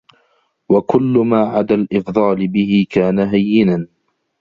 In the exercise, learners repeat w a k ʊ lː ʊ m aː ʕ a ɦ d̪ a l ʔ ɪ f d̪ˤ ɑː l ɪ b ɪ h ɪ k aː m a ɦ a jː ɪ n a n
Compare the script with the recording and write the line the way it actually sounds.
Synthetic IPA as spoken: w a k ʊ lː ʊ m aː ʕ a d̪ a l ʔ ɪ f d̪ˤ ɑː l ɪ b ɪ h ɪ k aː n a ɦ a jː ɪ n a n